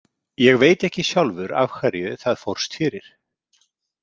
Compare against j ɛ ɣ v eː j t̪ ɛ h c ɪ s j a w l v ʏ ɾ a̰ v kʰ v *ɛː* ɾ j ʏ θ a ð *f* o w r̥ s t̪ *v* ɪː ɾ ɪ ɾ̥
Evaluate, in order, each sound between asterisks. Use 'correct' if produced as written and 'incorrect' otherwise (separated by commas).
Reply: incorrect, correct, incorrect